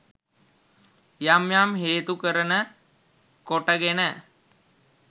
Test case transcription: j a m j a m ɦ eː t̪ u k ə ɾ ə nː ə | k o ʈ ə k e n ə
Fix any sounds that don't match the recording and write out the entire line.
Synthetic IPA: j a m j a m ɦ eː t̪ u k ə ɾ ə n ə | k o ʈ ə ɡ e n ə